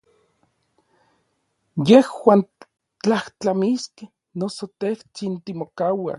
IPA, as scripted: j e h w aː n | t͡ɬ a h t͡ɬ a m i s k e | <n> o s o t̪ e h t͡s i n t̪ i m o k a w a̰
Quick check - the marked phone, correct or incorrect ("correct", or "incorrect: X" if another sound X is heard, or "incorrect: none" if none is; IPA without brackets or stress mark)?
correct